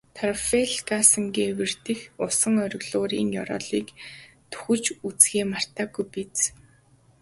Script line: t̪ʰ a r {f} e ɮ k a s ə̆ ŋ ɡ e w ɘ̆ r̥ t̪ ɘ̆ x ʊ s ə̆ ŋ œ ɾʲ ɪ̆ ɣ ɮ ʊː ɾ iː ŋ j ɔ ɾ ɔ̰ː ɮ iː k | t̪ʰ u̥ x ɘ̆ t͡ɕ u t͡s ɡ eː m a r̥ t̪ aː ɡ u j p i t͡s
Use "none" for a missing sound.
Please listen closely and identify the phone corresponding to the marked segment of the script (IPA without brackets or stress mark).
f